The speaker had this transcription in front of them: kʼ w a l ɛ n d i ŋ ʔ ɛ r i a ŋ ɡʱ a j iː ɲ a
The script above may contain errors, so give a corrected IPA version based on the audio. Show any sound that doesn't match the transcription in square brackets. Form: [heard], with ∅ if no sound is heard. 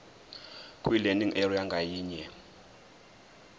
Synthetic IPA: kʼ w [i] l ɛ n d i ŋ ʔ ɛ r i a ŋ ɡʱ a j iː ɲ [ɛ]